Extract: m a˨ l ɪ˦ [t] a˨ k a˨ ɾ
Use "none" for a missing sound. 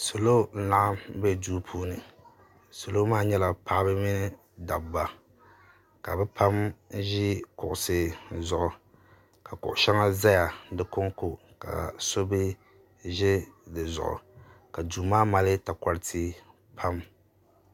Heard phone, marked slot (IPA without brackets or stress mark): t